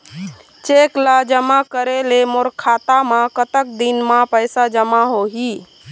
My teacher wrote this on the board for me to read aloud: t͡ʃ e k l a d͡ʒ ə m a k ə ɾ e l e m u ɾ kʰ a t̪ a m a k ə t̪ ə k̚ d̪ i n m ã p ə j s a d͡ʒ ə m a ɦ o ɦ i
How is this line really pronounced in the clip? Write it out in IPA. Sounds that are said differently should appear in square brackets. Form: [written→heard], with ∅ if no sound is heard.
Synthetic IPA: t͡ʃ e k l a d͡ʒ ə m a k ə ɾ e l e m [u→o] ɾ kʰ a t̪ a m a k ə t̪ ə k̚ d̪ i n m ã p ə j s a d͡ʒ ə m a ɦ o ɦ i